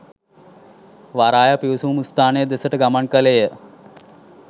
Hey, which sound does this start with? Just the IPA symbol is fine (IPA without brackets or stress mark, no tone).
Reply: ʋ